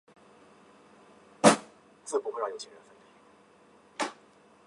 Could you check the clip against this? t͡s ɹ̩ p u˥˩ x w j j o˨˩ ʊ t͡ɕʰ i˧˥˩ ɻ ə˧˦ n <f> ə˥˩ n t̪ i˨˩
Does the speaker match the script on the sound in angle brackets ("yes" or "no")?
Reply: yes